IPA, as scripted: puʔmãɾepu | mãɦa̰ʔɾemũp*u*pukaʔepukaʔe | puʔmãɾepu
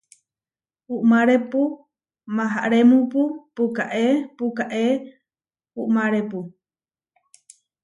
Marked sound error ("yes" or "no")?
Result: no